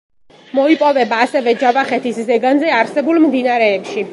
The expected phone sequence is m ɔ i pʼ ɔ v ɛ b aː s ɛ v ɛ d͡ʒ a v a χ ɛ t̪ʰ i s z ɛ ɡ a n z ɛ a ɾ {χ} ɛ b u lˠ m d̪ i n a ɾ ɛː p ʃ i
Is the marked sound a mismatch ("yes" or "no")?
yes